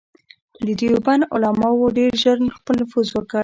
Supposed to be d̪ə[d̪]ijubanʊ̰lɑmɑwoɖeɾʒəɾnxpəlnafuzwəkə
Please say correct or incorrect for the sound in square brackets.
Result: correct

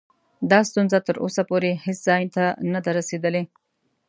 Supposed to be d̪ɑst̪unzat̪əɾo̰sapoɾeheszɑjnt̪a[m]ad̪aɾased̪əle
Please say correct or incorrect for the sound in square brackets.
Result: incorrect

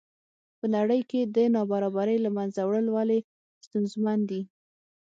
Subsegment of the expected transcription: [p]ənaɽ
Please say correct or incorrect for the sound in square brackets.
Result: correct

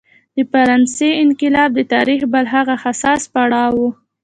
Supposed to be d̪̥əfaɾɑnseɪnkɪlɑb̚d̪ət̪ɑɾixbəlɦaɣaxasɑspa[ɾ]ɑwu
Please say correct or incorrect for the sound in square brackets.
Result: incorrect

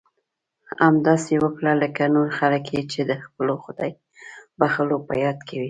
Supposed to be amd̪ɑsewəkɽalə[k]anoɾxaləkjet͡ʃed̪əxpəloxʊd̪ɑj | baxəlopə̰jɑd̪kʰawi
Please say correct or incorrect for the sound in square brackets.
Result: correct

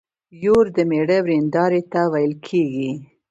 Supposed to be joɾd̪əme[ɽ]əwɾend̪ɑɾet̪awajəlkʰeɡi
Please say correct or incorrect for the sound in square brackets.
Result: correct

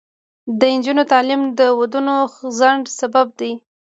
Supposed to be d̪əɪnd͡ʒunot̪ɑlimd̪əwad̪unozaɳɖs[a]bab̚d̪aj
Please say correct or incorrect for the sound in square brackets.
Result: correct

